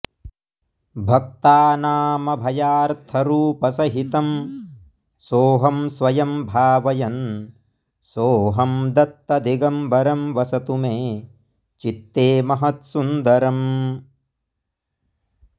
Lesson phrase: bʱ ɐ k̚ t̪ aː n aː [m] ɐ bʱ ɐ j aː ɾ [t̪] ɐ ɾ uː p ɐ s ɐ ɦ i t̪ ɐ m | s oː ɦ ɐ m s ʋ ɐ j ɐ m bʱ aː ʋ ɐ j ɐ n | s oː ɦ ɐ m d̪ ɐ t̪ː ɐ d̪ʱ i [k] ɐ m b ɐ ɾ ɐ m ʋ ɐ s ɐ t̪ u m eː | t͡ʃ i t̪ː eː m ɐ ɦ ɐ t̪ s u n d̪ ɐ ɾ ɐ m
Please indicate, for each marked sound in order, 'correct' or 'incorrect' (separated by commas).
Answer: correct, incorrect, incorrect